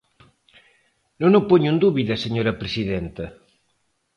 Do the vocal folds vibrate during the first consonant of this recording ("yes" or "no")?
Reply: yes